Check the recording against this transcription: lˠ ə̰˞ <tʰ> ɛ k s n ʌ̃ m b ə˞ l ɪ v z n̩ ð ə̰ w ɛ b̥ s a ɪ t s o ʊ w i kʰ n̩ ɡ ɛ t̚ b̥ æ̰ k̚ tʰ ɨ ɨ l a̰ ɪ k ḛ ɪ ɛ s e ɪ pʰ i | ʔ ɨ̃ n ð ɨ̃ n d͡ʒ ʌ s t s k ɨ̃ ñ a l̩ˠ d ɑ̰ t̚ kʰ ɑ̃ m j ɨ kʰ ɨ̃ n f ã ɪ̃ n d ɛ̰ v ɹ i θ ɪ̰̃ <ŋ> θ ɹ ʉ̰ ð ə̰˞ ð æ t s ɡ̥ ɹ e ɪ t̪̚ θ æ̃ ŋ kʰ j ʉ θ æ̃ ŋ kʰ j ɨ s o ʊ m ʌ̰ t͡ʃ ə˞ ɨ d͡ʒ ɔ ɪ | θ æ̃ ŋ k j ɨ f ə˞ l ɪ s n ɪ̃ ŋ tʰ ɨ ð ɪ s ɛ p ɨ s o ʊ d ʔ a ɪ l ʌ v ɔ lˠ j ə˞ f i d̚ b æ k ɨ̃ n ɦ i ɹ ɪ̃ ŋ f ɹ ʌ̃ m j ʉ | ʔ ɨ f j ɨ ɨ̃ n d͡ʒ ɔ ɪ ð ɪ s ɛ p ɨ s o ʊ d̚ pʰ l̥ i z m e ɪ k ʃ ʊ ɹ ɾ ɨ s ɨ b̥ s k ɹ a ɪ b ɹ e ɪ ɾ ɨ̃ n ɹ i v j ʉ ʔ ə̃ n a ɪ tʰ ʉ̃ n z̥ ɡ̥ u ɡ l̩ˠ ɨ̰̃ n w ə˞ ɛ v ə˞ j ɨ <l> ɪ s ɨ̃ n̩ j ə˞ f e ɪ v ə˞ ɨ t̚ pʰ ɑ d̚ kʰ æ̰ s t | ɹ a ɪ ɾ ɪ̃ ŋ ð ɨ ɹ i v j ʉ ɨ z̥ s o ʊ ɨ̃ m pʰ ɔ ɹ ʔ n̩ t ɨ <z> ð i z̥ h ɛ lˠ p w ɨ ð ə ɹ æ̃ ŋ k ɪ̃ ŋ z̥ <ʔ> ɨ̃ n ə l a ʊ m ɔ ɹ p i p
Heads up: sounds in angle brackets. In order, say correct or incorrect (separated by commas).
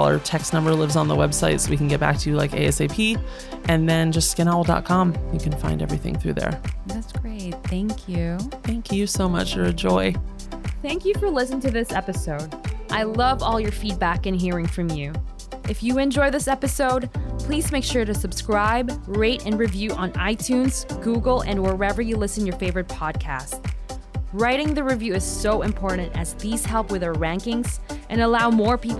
correct, correct, correct, correct, correct